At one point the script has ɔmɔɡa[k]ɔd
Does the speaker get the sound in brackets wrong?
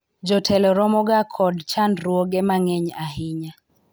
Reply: yes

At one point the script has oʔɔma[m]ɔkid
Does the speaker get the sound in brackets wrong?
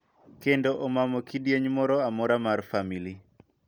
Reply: no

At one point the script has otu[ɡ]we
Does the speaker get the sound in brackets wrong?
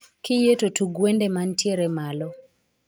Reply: no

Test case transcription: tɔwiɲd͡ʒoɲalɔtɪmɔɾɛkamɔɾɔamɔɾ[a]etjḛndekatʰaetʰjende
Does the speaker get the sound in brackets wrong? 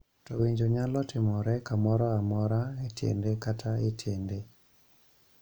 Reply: no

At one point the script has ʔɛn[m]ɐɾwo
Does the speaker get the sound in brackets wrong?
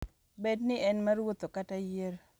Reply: no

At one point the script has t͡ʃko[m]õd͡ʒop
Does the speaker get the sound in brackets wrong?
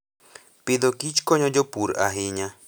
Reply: yes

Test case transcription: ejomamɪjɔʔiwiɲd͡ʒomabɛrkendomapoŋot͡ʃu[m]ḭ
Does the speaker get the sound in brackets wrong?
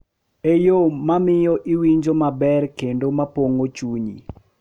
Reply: yes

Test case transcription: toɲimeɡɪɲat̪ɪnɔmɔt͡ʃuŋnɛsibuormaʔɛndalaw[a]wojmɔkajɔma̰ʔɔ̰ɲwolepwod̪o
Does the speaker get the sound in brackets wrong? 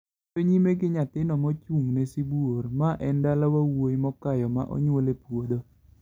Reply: no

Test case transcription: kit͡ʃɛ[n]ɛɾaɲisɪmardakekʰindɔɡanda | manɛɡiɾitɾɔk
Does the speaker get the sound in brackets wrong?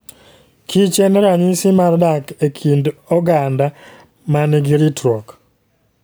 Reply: no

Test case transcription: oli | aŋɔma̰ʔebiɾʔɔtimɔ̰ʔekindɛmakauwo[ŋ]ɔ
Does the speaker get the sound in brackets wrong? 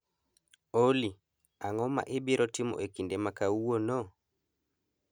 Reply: yes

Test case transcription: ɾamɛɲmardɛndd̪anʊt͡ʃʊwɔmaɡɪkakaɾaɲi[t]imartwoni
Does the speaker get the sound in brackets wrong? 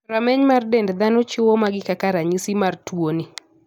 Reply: yes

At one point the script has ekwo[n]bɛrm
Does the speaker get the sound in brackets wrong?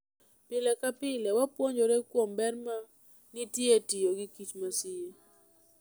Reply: yes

